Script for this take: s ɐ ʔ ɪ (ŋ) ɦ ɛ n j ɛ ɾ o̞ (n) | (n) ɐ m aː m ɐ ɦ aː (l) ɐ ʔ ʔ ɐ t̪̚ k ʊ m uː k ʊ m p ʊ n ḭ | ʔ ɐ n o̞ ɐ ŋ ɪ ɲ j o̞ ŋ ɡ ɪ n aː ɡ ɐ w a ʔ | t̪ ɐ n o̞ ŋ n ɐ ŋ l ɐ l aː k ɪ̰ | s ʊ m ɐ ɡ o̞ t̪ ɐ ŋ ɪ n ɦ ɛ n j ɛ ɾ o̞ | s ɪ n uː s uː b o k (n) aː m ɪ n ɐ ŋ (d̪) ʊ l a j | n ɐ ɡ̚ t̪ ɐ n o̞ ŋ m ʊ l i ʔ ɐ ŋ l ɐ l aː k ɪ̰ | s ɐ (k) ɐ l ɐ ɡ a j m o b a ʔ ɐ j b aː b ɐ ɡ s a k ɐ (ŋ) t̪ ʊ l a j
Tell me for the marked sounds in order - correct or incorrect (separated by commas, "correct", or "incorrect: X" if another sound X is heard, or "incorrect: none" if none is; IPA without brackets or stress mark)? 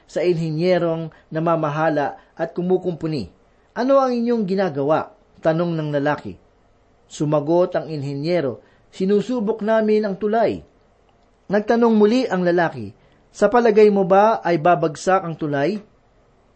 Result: incorrect: n, incorrect: ŋ, correct, correct, correct, incorrect: t̪, incorrect: p, correct